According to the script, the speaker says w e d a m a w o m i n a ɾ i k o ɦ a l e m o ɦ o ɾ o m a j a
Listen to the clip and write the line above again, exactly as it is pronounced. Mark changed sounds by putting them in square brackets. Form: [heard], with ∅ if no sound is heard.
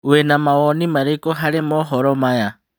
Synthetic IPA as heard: w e [n] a m a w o [n] i [m] a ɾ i k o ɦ a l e m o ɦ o ɾ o m a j a